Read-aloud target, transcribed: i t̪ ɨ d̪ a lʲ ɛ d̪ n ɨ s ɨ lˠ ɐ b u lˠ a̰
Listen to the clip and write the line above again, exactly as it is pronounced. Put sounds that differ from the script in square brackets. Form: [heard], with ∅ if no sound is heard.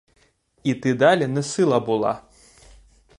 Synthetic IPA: i t̪ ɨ d̪ a lʲ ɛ [∅] n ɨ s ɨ lˠ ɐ b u lˠ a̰